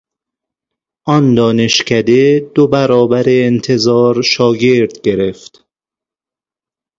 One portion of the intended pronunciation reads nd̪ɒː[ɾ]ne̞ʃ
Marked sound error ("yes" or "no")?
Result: yes